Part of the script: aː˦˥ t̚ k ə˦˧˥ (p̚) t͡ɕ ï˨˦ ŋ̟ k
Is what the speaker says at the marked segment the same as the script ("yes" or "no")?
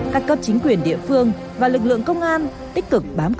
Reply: yes